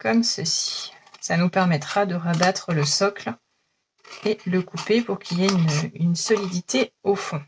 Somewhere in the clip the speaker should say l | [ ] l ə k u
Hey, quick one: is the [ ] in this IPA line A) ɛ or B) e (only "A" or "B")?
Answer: B